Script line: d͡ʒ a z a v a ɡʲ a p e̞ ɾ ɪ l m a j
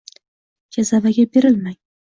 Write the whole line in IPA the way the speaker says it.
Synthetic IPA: d͡ʒ a z a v a ɡʲ a b e̞ ɾ ɪ l m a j